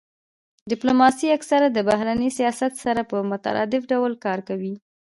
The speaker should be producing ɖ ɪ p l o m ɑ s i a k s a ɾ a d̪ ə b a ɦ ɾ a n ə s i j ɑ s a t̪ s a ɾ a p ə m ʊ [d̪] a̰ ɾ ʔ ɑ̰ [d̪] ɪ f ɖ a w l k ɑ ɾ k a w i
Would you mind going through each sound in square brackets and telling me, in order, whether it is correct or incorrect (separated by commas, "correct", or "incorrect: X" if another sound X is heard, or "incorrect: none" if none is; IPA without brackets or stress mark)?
incorrect: t̪, correct